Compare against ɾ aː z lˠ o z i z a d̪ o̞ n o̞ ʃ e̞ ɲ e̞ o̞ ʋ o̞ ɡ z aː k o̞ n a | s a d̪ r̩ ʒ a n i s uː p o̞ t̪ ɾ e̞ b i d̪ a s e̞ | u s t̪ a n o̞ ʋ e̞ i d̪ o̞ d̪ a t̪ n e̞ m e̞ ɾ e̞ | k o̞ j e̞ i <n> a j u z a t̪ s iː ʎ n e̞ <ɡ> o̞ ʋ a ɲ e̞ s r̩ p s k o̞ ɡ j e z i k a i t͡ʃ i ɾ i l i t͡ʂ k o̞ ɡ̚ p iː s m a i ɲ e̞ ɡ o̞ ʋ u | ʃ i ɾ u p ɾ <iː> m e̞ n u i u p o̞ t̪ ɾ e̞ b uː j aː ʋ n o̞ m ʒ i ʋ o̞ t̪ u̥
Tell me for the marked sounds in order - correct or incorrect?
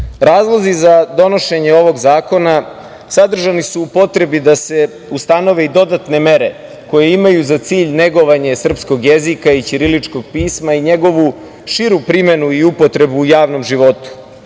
incorrect: m, correct, incorrect: i

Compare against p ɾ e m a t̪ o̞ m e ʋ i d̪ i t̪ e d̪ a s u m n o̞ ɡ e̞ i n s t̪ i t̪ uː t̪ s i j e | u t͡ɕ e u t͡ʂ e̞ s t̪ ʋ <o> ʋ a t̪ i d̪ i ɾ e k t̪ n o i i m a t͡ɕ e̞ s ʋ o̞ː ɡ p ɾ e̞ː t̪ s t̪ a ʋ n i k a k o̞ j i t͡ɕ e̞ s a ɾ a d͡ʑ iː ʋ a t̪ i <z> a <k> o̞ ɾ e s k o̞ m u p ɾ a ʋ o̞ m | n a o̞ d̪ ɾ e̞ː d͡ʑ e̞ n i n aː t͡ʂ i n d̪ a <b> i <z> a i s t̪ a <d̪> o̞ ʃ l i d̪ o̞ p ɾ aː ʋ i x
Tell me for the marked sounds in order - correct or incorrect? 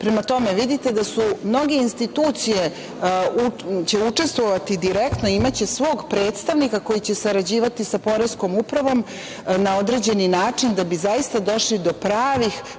correct, incorrect: s, incorrect: p, correct, correct, correct

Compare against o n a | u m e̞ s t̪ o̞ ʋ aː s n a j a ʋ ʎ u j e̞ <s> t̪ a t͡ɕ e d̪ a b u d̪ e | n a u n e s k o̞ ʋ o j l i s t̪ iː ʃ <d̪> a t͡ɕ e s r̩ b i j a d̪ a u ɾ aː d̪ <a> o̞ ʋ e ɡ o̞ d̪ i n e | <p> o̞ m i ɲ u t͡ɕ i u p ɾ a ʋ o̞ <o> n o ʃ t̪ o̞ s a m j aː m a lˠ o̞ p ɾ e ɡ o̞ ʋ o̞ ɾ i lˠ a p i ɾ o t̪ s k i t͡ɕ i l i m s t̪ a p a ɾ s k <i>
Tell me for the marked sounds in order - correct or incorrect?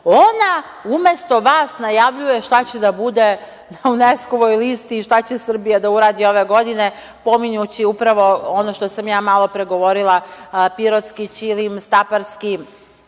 incorrect: ʃ, incorrect: t̪, incorrect: i, correct, correct, correct

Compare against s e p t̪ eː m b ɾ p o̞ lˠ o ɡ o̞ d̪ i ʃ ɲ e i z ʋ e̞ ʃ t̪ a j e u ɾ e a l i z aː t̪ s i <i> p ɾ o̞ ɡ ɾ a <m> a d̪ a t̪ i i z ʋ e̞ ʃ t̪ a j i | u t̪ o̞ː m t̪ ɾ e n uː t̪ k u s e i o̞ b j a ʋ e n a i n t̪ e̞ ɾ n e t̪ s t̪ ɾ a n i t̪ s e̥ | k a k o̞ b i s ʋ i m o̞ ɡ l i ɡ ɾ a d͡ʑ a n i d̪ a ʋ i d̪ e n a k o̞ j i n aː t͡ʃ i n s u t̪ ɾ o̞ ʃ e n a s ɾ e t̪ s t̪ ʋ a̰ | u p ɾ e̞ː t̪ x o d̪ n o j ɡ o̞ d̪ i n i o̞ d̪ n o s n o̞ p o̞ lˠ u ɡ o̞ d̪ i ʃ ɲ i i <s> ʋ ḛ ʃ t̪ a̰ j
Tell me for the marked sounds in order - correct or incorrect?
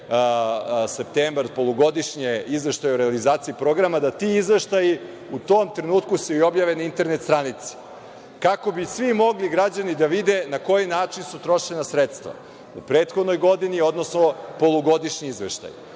correct, correct, incorrect: z

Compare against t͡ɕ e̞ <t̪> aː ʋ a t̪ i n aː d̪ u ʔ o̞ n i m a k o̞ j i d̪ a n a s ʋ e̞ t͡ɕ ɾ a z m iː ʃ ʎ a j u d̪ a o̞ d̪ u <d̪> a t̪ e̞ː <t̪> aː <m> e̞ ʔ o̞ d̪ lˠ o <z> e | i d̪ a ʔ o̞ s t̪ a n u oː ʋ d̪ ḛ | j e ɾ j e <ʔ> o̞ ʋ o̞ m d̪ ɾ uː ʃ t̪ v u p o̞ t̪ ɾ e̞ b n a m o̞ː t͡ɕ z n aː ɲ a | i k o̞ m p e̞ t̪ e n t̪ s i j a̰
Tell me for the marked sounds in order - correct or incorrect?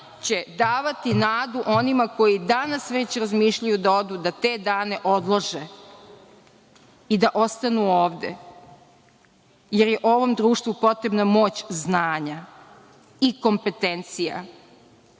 incorrect: d̪, correct, incorrect: d̪, incorrect: n, incorrect: ʒ, correct

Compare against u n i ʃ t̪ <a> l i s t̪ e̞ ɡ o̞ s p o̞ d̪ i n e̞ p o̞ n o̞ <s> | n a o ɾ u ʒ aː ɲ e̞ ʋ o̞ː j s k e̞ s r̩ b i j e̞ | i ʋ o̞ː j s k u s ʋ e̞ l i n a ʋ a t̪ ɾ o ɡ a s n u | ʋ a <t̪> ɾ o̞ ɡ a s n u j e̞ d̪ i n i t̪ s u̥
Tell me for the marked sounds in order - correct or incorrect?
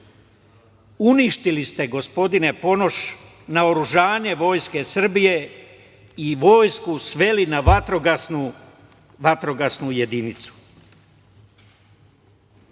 incorrect: i, incorrect: ʃ, correct

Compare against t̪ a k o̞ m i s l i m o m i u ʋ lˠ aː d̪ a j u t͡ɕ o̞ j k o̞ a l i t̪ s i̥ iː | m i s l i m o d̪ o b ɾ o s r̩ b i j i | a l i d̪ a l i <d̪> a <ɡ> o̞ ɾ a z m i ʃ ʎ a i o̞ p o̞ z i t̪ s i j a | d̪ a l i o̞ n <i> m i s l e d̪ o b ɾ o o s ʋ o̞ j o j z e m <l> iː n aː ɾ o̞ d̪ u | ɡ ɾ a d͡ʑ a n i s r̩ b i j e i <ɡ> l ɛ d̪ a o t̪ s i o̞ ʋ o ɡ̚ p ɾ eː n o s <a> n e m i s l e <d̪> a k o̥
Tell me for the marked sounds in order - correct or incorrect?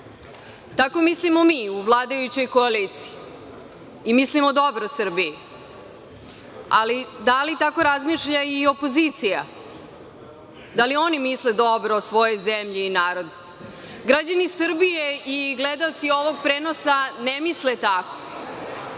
incorrect: t̪, incorrect: k, correct, incorrect: ʎ, correct, correct, incorrect: t̪

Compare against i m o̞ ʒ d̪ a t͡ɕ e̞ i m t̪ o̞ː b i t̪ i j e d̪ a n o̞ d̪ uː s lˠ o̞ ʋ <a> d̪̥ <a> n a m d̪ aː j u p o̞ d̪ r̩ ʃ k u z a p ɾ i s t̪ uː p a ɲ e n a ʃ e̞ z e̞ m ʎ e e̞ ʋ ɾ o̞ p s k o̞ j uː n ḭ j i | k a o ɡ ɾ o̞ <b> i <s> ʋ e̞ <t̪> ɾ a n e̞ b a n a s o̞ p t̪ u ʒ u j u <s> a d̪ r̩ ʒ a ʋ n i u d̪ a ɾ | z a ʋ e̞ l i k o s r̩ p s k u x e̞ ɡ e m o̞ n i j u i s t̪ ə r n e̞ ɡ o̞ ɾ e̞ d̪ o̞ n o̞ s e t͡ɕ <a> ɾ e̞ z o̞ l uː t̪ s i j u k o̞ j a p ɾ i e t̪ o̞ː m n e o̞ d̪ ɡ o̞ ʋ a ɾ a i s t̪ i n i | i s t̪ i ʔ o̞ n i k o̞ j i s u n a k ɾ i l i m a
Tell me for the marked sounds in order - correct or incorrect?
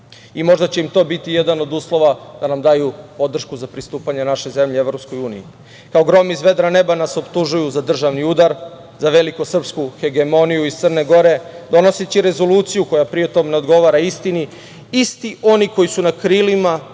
correct, correct, incorrect: m, incorrect: z, incorrect: d̪, incorrect: z, incorrect: i

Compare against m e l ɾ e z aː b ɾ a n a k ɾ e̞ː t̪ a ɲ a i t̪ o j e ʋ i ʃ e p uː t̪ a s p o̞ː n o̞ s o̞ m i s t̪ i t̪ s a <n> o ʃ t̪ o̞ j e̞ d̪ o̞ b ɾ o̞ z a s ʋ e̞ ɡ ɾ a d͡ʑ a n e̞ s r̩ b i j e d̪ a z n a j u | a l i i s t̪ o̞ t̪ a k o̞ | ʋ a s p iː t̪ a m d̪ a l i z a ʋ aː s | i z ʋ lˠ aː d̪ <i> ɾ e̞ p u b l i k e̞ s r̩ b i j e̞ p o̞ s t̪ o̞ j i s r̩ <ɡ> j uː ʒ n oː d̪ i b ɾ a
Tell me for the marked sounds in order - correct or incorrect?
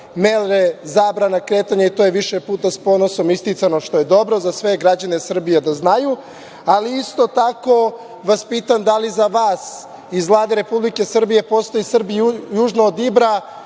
correct, incorrect: e, incorrect: b

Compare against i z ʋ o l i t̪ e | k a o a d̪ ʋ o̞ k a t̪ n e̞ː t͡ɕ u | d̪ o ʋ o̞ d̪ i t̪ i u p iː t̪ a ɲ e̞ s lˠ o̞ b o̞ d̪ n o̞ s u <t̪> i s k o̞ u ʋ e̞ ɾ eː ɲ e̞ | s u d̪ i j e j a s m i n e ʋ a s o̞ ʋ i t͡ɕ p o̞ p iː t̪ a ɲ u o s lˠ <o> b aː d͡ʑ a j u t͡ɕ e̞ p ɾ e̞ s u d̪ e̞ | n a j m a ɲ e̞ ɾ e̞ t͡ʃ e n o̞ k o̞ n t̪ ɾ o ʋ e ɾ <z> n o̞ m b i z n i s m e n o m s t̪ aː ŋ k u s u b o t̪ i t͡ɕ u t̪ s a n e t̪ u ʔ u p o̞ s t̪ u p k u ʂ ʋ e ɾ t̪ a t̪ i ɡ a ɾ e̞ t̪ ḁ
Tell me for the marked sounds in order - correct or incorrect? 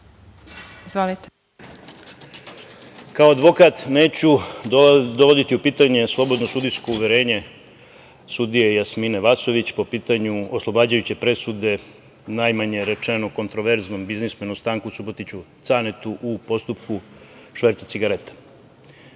incorrect: d̪, correct, correct

